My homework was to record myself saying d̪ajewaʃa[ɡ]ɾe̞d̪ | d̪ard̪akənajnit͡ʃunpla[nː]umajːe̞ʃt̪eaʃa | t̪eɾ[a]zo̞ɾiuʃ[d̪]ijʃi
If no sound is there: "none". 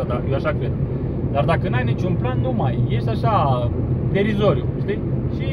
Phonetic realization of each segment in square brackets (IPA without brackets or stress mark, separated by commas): k, nː, i, t̪